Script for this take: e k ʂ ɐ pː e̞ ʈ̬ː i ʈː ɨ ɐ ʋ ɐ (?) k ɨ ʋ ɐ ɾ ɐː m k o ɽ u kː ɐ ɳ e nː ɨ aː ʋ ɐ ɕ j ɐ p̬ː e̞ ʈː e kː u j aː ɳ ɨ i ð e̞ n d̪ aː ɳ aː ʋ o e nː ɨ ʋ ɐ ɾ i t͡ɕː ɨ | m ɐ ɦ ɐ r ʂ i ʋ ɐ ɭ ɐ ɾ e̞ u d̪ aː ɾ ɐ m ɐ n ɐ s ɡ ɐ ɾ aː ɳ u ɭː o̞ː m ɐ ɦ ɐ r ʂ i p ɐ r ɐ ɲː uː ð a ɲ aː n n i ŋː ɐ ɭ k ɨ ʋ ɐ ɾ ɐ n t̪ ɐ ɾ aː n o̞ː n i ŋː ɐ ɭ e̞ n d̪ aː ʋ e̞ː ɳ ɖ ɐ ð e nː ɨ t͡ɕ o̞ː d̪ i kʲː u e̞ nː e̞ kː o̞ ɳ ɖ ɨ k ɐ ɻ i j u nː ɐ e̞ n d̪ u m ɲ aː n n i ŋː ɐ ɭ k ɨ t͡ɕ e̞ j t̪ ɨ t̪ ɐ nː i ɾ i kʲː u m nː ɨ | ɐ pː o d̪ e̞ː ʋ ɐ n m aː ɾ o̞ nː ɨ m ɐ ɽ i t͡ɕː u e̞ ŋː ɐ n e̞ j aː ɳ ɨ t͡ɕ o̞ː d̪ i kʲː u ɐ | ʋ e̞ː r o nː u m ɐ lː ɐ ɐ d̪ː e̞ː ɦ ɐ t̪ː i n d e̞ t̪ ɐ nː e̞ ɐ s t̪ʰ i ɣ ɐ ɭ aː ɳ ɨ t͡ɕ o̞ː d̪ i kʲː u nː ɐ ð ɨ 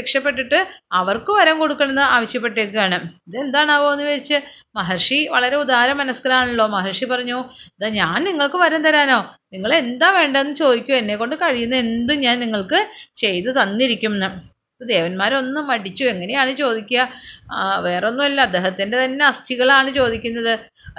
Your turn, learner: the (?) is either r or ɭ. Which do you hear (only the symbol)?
r